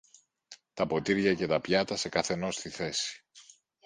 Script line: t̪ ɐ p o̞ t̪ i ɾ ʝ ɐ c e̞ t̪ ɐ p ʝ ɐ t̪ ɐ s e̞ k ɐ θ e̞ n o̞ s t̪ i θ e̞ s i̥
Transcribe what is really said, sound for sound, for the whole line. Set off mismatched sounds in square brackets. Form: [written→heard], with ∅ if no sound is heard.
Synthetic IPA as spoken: t̪ ɐ p o̞ t̪ i ɾ ʝ ɐ c e̞ t̪ ɐ p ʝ ɐ t̪ ɐ s e̞ k ɐ θ e̞ n o̞ s t̪ i θ e̞ s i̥